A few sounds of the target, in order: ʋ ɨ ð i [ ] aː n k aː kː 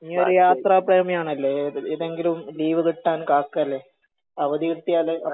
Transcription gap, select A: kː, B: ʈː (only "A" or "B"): B